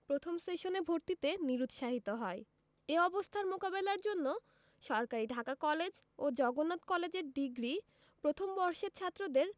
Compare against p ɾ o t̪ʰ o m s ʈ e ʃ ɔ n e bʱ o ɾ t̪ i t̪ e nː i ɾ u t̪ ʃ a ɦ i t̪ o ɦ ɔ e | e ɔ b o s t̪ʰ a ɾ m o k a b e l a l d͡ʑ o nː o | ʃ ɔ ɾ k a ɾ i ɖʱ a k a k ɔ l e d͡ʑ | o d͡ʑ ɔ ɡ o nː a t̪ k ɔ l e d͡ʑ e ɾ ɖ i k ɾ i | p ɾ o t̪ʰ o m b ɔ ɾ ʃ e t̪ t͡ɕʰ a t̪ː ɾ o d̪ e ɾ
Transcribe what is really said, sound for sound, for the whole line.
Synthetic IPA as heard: p ɾ o t̪ʰ o m s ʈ e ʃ o n e bʱ o ɾ t̪ i t̪ e n i ɾ u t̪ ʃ a ɦ i t̪ o ɦ ɔ e | e ɔ b o s t̪ʰ a ɾ m o k a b e l a ɾ d͡ʑ o nː o | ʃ ɔ ɾ k a ɾ i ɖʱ a k a k ɔ l e d͡ʑ | o d͡ʑ ɔ ɡ o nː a t̪ k ɔ l e d͡ʑ e ɾ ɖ i ɡ ɾ i | p ɾ o t̪ʰ o m b ɔ ɾ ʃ e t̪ t͡ɕʰ a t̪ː ɾ o d̪ e ɾ

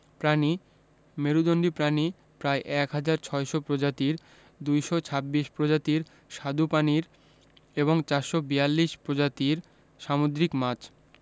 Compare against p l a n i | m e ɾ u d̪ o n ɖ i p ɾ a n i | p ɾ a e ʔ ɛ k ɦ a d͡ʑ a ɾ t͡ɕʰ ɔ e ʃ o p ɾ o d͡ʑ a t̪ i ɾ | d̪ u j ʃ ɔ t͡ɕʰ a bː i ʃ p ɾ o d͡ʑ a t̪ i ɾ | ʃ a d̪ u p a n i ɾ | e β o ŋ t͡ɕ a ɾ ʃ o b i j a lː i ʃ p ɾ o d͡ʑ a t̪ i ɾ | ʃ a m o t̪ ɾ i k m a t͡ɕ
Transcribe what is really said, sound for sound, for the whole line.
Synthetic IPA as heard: p ɾ a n i | m e ɾ u d̪ o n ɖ i p ɾ a n i | p ɾ a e ʔ ɛ k ɦ a d͡ʑ a ɾ t͡ɕʰ ɔ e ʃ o p ɾ o d͡ʑ a t̪ i ɾ | d̪ u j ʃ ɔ t͡ɕʰ a bː i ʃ p ɾ o d͡ʑ a t̪ i ɾ | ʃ a d̪ u p a n i ɾ | e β o ŋ t͡ɕ a ɾ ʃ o b i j a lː i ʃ p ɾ o d͡ʑ a t̪ i ɾ | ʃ a m o d̪ ɾ i k m a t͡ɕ

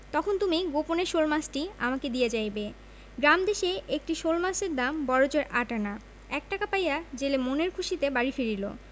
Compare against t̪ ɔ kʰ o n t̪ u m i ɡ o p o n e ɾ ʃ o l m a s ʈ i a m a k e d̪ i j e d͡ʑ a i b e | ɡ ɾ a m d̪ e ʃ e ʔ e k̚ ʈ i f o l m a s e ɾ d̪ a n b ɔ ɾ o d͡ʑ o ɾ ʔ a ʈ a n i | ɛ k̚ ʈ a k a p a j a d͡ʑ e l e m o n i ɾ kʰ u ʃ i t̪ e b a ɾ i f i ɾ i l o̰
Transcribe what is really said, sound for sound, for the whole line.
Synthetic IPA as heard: t̪ ɔ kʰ o n t̪ u m i ɡ o p o n e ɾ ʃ o l m a s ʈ i a m a k e d̪ i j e d͡ʑ a j b e | ɡ ɾ a m d̪ e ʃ e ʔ e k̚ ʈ i ʃ o l m a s e ɾ d̪ a m b ɔ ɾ o d͡ʑ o ɾ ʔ a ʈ a n a | ɛ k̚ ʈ a k a p a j a d͡ʑ e l e m o n e ɾ kʰ u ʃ i t̪ e b a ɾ i f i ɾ i l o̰

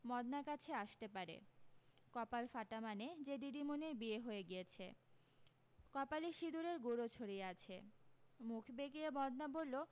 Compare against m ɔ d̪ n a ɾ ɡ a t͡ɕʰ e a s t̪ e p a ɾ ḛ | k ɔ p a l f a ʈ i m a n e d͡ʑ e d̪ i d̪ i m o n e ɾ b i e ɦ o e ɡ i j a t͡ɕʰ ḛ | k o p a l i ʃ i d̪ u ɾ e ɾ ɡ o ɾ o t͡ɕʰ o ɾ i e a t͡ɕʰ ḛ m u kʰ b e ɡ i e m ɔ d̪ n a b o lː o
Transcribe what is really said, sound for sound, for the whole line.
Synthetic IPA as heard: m ɔ d̪ n a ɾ k a t͡ɕʰ e a ʃ t̪ e p a ɾ ḛ | k ɔ p a l f a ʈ a m a n e d͡ʑ e d̪ i d̪ i m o n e ɾ b i e ɦ o e ɡ i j e t͡ɕʰ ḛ | k ɔ p a l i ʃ i d̪ u ɾ e ɾ ɡ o ɾ o t͡ɕʰ o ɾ i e a t͡ɕʰ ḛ m u kʰ b e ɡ i e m ɔ d̪ n a b o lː o

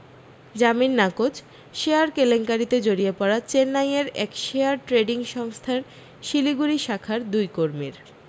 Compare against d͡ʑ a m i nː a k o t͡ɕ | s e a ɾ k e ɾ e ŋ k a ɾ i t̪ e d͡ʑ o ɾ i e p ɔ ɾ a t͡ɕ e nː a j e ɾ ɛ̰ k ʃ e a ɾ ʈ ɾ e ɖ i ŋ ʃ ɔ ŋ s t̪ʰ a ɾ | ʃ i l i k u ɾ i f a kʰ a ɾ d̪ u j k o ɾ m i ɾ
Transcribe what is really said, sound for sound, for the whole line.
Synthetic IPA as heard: d͡ʑ a m i nː a k o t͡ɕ | ʃ e a ɾ k e l e ŋ k a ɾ i t̪ e d͡ʑ o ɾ i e p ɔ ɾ a t͡ɕ e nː a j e ɾ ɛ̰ k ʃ e a ɾ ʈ ɾ e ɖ i ŋ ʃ ɔ ŋ s t̪ʰ a ɾ | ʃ i l i ɡ u ɾ i ʃ a kʰ a ɾ d̪ u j k o ɾ m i ɾ

